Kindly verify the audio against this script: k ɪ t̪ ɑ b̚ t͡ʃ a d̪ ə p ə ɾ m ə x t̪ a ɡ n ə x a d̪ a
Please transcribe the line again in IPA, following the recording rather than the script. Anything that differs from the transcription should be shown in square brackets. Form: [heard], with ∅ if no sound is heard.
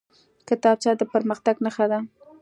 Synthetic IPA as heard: k ɪ t̪ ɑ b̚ t͡ʃ [ɑ] d̪ ə p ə ɾ m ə x t̪ a ɡ n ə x a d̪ a